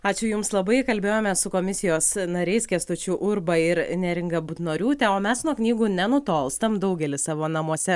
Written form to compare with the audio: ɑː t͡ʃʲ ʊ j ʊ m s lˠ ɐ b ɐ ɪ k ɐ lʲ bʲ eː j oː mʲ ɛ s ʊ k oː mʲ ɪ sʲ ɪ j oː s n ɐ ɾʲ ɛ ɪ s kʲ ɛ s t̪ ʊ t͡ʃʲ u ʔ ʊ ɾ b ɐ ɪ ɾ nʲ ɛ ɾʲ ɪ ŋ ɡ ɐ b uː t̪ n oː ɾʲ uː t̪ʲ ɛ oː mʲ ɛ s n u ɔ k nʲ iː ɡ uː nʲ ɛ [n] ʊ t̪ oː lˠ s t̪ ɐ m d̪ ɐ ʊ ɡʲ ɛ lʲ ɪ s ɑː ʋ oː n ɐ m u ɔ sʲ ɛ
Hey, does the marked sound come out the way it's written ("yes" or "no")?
yes